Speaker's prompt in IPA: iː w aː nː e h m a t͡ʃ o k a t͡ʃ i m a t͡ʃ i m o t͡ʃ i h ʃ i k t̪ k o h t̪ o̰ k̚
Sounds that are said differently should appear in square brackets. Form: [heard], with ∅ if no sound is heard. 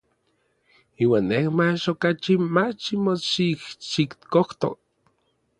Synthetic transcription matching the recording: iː w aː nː e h m a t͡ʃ o k a t͡ʃ i m a t͡ʃ i m o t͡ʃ i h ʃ i k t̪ k o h t̪ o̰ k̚